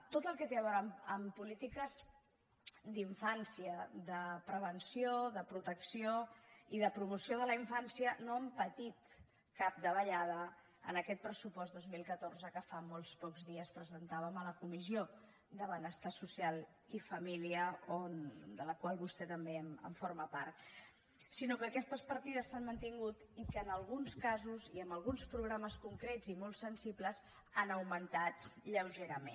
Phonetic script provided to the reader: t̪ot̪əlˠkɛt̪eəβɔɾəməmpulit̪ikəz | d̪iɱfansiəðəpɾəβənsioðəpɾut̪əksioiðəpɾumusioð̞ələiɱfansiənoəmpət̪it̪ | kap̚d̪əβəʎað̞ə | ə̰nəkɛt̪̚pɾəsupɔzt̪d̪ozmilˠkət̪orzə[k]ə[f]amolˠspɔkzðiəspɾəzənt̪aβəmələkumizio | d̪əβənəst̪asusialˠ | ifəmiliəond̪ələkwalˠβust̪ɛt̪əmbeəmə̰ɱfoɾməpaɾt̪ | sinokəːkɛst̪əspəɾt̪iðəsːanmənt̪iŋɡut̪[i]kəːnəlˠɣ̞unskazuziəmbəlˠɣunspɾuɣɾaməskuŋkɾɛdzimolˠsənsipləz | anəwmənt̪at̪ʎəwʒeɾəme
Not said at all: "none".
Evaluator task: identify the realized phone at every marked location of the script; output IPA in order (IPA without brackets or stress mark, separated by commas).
k, f, i